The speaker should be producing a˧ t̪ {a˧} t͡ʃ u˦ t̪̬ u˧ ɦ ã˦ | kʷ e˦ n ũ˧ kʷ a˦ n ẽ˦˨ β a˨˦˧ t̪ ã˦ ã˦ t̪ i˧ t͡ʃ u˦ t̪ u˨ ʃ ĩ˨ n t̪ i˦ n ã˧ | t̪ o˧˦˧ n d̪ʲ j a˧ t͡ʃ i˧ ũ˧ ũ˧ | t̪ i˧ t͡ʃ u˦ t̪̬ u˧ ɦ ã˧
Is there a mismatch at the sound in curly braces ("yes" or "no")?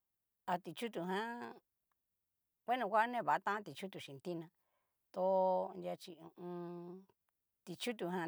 yes